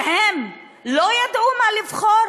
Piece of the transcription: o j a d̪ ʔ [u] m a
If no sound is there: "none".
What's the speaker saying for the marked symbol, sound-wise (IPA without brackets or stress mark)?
u